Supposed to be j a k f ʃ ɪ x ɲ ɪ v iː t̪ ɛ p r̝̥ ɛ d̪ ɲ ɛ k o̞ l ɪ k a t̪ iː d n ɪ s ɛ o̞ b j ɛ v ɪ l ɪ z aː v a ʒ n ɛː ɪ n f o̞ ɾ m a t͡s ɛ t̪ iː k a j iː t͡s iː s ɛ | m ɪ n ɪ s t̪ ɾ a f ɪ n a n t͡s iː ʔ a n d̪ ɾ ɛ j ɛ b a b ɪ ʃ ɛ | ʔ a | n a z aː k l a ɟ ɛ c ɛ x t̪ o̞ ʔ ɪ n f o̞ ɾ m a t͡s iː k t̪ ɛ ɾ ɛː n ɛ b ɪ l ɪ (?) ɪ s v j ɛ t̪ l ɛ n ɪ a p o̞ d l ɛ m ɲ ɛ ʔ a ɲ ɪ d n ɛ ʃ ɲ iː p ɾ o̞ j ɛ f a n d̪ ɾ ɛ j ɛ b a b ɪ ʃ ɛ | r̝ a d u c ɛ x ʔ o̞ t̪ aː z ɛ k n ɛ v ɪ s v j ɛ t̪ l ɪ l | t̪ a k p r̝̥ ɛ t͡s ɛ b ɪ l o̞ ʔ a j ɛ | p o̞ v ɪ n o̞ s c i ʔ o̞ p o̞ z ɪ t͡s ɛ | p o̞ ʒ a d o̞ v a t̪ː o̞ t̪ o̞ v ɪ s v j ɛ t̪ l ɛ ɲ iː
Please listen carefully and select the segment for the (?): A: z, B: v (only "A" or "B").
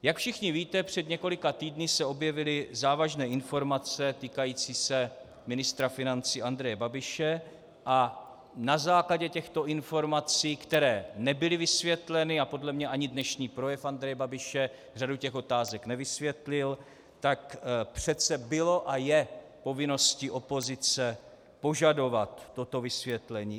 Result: B